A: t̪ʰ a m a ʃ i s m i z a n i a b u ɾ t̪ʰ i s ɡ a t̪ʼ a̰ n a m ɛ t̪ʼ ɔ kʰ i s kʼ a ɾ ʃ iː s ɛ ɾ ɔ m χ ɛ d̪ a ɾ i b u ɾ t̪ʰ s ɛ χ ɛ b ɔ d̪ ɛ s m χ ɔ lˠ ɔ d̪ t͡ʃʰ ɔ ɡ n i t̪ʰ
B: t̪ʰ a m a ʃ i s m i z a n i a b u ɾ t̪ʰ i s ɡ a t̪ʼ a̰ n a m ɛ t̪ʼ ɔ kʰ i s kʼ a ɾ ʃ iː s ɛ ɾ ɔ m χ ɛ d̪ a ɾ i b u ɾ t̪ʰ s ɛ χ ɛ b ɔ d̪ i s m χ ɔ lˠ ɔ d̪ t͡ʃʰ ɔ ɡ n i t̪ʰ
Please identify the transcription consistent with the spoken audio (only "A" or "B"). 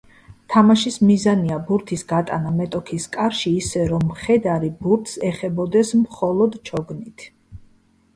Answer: A